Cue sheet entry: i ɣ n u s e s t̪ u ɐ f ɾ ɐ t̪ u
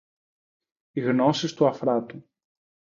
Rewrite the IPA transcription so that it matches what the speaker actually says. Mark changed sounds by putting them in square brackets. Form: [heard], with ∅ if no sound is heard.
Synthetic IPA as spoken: i ɣ n [o] s [i] s t̪ u ɐ f ɾ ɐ t̪ u